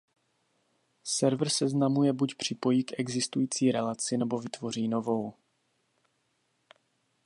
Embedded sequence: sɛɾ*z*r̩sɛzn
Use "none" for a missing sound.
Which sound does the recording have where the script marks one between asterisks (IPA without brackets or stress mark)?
v